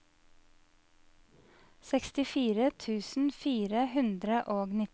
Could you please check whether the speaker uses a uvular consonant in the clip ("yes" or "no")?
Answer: no